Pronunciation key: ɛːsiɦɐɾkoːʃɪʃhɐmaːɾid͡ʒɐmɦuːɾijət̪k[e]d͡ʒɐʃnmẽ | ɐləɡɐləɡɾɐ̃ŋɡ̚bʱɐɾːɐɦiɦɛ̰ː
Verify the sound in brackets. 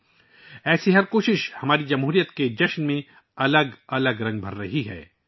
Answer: correct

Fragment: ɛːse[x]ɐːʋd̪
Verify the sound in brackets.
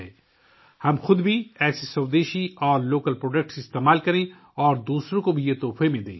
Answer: incorrect: s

